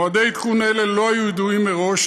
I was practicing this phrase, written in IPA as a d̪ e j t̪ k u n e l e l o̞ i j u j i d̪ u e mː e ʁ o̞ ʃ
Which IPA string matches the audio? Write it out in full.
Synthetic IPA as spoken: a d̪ e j t̪ k u n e l e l o̞ a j u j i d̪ u i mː e ʁ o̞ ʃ